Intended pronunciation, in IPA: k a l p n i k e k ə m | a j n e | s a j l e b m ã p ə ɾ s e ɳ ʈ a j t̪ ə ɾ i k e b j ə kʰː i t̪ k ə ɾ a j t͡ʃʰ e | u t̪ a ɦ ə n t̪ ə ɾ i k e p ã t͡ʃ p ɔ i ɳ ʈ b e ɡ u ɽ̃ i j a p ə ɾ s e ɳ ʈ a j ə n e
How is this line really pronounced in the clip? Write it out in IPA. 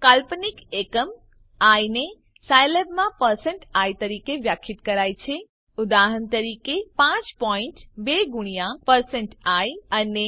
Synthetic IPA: k a l p n i k e k ə m | a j n e | s a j l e b m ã p ə ɾ s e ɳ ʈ a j t̪ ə ɾ i k e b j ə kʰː i t̪ k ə ɾ a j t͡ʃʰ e | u d̪ a ɦ ə n t̪ ə ɾ i k e p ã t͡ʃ p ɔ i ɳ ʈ b e ɡ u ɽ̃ i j a p ə ɾ s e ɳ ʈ a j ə n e